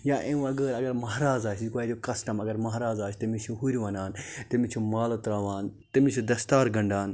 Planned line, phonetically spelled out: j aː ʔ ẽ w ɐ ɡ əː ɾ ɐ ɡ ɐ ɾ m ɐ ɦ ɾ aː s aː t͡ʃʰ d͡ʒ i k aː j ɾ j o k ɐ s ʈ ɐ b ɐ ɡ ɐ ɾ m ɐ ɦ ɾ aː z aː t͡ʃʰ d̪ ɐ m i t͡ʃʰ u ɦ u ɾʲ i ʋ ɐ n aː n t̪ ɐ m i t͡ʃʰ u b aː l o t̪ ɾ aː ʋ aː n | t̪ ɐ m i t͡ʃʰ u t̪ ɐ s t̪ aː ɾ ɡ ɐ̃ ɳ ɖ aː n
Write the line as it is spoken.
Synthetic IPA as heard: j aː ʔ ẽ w ɐ ɡ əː ɾ ɐ ɡ ɐ ɾ m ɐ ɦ ɾ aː z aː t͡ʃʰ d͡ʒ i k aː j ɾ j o k ɐ s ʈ ɐ m ɐ ɡ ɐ ɾ m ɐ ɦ ɾ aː z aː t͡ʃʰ t̪ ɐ m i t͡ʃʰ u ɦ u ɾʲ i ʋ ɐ n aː n t̪ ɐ m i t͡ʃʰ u m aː l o t̪ ɾ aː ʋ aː n | t̪ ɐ m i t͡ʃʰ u d̪ ɐ s t̪ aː ɾ ɡ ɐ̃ ɳ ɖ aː n

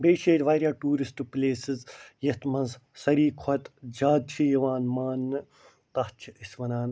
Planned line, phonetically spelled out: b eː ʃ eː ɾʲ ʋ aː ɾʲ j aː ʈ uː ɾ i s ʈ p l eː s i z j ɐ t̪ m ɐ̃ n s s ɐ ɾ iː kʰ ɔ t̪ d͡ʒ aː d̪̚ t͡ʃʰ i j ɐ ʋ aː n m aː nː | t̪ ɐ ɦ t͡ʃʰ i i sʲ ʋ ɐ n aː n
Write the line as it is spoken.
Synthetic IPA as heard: b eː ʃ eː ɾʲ ʋ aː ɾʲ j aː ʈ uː ɾ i s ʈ p l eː s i z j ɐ t̪ m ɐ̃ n z s ɐ ɾ iː kʰ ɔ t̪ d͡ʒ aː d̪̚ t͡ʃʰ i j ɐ ʋ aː n m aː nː | t̪ ɐ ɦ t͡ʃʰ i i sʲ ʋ ɐ n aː n

